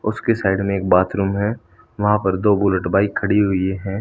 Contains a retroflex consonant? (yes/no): yes